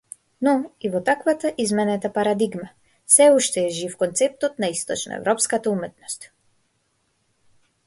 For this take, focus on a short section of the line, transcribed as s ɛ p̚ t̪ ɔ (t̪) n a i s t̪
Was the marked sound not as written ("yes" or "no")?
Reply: no